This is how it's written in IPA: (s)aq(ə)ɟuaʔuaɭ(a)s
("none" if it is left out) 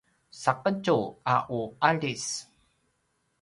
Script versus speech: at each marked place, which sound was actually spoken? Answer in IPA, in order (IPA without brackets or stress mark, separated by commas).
s, ə, i